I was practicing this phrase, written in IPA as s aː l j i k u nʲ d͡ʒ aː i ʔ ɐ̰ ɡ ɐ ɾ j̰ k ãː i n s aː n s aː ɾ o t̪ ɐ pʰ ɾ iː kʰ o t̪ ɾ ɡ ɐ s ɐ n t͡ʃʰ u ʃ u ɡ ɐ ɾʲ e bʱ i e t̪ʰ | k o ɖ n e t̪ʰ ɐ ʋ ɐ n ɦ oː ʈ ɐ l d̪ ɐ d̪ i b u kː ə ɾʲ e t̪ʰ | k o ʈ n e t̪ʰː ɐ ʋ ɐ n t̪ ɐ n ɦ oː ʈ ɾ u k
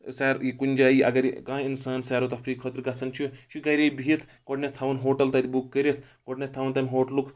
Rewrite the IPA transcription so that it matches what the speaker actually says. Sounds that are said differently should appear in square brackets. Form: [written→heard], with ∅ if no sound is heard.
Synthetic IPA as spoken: s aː [l→ɾ] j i k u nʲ d͡ʒ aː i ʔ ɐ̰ ɡ ɐ ɾ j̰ k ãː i n s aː n s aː ɾ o t̪ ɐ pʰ ɾ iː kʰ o t̪ ɾ ɡ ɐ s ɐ n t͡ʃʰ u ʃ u ɡ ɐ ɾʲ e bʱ i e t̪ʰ | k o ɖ n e t̪ʰ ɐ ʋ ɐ n ɦ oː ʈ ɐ l [d̪→t̪] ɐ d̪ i b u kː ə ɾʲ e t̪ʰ | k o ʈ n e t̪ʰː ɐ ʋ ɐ n t̪ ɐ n ɦ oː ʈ [ɾ→l] u k